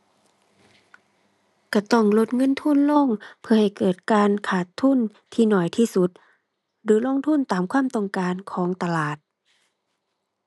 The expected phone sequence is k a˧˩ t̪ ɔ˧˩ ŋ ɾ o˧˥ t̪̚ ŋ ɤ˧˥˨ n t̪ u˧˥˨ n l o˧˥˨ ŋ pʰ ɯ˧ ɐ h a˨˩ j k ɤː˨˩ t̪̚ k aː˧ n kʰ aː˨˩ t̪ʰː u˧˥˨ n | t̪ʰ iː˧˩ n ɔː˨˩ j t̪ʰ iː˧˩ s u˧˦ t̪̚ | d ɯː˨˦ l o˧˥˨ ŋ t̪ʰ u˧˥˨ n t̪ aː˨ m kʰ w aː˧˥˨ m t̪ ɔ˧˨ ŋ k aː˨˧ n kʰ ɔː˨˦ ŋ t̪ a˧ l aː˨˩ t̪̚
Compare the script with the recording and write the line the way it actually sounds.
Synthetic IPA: k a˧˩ t̪ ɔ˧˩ ŋ l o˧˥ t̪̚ ŋ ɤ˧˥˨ n t̪ʰ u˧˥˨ n l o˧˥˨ ŋ pʰ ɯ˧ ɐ h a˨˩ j k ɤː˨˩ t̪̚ k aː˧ n kʰ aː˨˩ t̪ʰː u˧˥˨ n | t̪ʰ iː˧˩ n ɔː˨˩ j t̪ʰ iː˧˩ s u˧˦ t̪̚ | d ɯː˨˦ l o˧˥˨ ŋ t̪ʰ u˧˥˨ n t̪ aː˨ m kʰ w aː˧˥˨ m t̪ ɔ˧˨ ŋ k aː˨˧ n kʰ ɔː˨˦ ŋ t̪ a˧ l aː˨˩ t̪̚

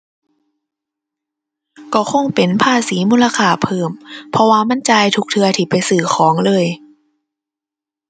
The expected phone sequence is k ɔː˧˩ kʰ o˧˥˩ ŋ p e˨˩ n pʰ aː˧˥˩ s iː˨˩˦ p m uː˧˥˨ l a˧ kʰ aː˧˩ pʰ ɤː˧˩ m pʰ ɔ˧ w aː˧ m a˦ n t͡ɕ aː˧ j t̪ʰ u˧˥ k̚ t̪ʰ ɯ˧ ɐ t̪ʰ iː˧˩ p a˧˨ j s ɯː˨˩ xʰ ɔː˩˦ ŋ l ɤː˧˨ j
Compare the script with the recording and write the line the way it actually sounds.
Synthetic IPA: k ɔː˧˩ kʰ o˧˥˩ ŋ p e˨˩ n pʰ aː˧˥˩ s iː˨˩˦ m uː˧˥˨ l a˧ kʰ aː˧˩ pʰ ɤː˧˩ m pʰ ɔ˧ w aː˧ m a˧˥˨ n t͡ɕ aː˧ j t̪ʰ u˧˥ k̚ t̪ʰ ɯ˧ ɐ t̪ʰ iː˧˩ p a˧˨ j s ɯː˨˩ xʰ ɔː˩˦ ŋ l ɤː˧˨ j

